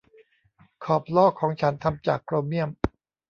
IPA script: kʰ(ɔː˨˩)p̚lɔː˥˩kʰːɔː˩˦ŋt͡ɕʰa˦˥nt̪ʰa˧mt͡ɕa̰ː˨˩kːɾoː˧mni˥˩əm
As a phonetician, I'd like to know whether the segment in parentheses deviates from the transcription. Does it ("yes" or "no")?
no